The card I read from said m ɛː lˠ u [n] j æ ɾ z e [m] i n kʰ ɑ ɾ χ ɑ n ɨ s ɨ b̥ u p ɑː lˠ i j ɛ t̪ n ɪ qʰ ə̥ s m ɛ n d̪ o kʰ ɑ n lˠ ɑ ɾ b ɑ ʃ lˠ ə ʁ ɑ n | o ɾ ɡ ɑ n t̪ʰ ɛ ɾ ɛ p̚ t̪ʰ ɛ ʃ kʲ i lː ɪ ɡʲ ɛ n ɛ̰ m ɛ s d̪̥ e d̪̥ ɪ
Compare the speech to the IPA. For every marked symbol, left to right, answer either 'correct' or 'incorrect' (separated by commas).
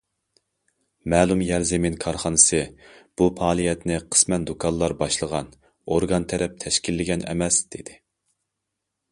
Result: incorrect, correct